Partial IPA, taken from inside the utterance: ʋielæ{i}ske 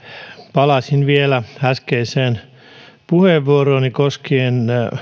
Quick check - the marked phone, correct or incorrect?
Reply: incorrect